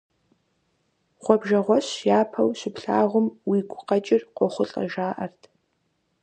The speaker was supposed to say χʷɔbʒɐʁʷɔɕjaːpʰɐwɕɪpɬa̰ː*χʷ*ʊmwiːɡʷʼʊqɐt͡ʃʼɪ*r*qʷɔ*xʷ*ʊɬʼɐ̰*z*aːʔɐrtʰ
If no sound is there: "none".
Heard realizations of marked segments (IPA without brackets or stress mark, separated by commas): ʁʷ, r, χʷ, ʒ